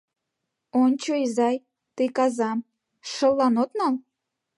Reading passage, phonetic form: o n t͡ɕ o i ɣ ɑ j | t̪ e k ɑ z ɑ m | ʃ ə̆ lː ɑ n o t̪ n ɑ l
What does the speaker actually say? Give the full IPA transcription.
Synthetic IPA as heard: o n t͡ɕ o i z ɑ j | t̪ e k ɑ z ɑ m | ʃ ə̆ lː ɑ n o t̪ n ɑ l